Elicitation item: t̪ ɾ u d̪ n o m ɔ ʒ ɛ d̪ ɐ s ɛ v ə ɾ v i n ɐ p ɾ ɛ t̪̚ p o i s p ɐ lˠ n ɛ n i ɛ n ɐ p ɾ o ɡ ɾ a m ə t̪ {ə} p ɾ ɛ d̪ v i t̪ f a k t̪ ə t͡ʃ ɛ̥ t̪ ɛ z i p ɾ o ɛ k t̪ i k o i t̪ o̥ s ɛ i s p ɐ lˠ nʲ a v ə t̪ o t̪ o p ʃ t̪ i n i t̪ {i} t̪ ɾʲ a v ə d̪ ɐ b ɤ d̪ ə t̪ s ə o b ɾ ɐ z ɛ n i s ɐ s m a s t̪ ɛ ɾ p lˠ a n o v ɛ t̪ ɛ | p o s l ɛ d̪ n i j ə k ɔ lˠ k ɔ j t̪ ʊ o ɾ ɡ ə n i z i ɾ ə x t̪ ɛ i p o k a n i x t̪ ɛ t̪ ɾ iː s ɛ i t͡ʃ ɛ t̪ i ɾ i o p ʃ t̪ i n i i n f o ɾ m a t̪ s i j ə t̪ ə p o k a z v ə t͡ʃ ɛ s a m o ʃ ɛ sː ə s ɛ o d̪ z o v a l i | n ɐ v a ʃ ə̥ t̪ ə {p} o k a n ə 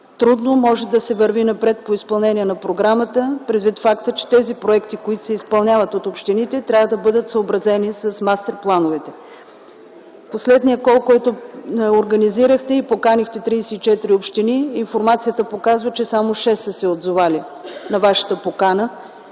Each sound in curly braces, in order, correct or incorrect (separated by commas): correct, incorrect, correct